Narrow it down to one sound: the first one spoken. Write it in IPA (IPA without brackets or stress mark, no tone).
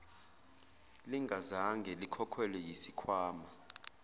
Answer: l